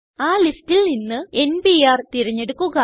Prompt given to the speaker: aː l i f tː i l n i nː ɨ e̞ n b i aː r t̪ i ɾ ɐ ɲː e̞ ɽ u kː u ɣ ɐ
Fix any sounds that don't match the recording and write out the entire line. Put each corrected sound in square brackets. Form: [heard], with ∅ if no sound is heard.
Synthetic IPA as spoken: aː l i [s] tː i l n i nː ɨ e̞ n b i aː r t̪ i ɾ ɐ ɲː e̞ ɽ u kː u ɣ ɐ